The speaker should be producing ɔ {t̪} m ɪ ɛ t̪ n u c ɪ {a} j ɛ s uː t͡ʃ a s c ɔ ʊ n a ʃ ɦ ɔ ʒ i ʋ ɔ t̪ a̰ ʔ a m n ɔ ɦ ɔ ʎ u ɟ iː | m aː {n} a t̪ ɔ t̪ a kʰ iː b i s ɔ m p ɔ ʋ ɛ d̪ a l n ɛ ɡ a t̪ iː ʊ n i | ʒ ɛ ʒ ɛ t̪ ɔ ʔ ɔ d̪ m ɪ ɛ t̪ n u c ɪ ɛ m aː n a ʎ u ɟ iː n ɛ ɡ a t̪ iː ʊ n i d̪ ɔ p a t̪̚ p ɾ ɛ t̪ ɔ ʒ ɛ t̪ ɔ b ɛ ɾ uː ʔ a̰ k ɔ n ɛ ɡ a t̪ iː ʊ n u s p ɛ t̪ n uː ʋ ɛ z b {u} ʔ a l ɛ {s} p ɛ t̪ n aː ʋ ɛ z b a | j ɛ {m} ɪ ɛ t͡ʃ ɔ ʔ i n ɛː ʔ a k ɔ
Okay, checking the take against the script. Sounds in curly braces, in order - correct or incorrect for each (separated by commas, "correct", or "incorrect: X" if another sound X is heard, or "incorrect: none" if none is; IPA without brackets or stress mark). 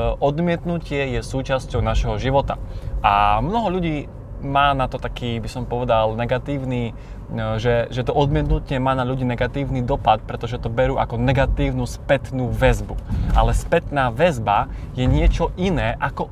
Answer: incorrect: d̪, incorrect: ɛ, correct, correct, correct, incorrect: ɲ